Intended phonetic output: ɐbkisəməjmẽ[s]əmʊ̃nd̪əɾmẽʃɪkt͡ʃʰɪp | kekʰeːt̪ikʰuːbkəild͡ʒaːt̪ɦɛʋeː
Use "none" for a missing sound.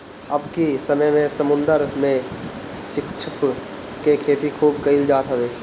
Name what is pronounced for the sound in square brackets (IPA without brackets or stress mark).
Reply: s